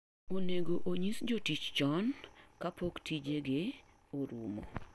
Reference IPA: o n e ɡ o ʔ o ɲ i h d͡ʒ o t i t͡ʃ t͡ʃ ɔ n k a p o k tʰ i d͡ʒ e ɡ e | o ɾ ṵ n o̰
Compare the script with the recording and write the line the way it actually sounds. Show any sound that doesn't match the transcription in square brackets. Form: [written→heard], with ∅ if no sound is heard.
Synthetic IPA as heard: o n e ɡ o ʔ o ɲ i [h→s] d͡ʒ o t i t͡ʃ t͡ʃ ɔ n k a p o k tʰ i d͡ʒ e ɡ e | o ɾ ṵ [n→m] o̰

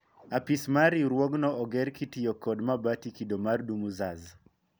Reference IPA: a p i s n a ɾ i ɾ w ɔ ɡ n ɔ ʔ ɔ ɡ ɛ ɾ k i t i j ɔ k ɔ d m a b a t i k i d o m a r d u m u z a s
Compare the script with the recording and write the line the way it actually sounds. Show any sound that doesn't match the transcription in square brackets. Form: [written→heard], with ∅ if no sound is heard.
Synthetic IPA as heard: a p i s [n→m] a ɾ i ɾ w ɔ ɡ n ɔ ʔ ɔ ɡ ɛ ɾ k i t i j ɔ k ɔ d m a b a t i k i d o m a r d u m u z a [s→z]

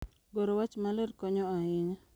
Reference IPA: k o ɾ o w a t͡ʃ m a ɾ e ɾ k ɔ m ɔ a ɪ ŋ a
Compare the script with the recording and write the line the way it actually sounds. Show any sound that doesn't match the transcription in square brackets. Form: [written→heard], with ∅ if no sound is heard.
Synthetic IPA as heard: [k→ɡ] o ɾ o w a t͡ʃ m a [ɾ→l] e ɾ k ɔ [m→ɲ] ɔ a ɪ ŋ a

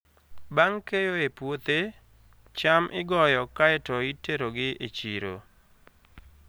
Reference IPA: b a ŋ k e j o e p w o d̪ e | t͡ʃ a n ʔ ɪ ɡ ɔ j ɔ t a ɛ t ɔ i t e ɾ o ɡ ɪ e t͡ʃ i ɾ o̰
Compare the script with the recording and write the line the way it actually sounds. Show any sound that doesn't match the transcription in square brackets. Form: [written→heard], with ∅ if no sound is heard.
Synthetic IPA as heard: b a ŋ k e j o e p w o [d̪→t̪] e | t͡ʃ a [n→m] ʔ ɪ ɡ ɔ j ɔ [t→k] a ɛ t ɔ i t e ɾ o ɡ ɪ e t͡ʃ i ɾ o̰

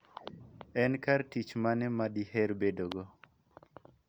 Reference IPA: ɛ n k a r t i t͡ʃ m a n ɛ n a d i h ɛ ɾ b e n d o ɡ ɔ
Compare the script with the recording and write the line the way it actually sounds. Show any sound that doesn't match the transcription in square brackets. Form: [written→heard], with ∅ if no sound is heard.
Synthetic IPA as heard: ɛ n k a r t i t͡ʃ m a n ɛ [n→m] a d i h ɛ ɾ b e [n→∅] d o ɡ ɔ

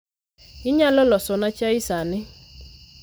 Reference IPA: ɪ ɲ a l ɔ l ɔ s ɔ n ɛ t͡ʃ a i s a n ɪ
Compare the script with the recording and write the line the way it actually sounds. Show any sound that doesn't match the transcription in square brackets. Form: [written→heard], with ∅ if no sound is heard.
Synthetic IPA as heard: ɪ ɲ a l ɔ l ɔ s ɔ n [ɛ→a] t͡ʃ a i s a n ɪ

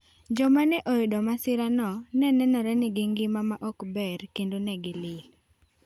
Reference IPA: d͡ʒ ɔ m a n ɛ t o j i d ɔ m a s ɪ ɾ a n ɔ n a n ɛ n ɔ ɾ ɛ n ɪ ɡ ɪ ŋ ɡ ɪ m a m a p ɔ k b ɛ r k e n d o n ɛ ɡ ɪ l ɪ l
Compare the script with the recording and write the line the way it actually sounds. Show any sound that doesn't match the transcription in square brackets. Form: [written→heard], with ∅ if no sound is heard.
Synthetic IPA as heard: d͡ʒ ɔ m a n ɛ [t→ʔ] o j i d ɔ m a s ɪ ɾ a n ɔ n [a→ɛ] n ɛ n ɔ ɾ ɛ n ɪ ɡ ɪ ŋ ɡ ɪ m a m a [p→ʔ] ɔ k b ɛ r k e n d o n ɛ ɡ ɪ l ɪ l

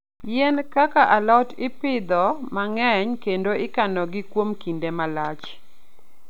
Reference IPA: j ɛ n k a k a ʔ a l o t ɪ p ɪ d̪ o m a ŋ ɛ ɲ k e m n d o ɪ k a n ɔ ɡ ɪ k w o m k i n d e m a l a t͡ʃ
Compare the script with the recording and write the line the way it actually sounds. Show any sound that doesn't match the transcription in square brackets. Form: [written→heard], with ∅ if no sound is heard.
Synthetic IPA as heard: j ɛ n k a k a ʔ a l [o→ɔ] t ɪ p ɪ d̪ [o→ɔ] m a ŋ ɛ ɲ k e [m→∅] n d o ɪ k a n ɔ ɡ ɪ k w o m k i n d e m a l a t͡ʃ

